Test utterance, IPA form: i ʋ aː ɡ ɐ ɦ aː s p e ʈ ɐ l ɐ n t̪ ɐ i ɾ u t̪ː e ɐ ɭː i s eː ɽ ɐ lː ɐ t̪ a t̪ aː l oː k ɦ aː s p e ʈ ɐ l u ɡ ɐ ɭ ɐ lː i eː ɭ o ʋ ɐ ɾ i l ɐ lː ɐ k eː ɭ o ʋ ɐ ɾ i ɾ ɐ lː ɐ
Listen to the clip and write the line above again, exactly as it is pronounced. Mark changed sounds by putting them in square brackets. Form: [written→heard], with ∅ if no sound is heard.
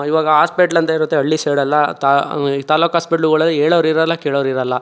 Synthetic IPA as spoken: i ʋ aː ɡ ɐ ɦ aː s p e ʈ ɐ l ɐ n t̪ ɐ i ɾ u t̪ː e ɐ ɭː i s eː ɽ ɐ lː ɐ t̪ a t̪ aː l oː k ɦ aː s p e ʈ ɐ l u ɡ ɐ ɭ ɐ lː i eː ɭ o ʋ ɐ ɾ i [l→ɾ] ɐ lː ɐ k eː ɭ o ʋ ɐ ɾ i ɾ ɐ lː ɐ